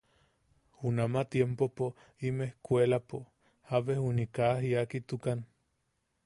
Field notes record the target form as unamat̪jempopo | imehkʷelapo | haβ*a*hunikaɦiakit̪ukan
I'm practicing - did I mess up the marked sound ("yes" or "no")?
yes